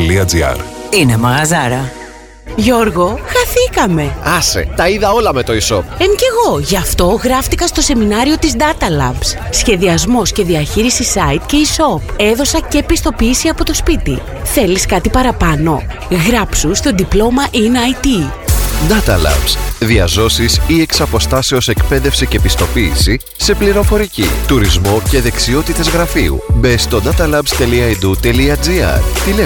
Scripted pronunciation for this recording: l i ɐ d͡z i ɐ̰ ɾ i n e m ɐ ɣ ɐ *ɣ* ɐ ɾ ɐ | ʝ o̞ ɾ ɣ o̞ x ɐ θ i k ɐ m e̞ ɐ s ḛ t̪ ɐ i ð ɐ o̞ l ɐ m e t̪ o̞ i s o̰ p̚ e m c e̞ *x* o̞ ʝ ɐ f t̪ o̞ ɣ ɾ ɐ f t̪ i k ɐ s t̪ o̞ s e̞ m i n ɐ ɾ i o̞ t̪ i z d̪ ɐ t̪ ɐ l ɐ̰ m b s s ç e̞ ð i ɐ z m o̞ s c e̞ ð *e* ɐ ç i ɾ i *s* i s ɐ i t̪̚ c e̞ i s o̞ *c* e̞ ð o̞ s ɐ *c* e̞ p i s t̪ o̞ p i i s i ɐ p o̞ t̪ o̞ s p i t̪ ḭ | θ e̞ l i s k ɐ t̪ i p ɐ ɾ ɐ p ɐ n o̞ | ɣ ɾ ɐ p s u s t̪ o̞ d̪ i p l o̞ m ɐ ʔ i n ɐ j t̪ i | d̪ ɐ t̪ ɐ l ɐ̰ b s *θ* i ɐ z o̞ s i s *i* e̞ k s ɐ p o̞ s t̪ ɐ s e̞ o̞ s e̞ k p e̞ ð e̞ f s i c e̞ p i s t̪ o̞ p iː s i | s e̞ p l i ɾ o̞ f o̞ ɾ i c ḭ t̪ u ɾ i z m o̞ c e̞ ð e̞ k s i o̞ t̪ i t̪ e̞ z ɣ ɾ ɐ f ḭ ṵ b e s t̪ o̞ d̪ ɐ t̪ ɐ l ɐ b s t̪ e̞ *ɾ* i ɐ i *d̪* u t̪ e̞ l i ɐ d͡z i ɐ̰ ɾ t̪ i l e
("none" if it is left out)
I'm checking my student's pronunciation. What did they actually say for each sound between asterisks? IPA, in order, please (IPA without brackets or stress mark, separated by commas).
z, ɣ, i, s, p, c, ð, i, l, d̪